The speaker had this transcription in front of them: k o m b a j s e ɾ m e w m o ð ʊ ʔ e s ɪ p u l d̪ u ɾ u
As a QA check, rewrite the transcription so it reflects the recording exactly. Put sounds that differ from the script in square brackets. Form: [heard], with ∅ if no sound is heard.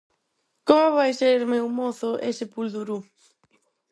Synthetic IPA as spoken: k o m [β] a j s e ɾ m e w m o [θ] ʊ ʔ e s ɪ p u l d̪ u ɾ u